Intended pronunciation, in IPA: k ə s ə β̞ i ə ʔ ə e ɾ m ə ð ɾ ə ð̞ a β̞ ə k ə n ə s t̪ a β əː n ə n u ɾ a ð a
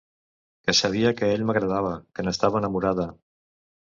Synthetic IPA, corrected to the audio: k ə s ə β̞ i ə k ə e ʎ m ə ɣ ɾ ə ð̞ a β̞ ə k ə n ə s t̪ a β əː n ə m u ɾ a ð ə